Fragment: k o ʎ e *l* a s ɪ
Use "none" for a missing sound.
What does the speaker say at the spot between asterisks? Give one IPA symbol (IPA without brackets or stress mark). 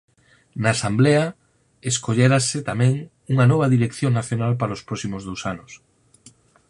ɾ